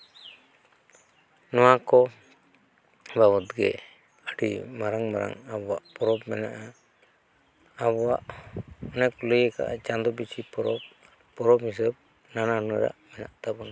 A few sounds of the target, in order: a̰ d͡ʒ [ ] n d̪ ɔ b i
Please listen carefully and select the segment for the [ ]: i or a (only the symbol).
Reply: a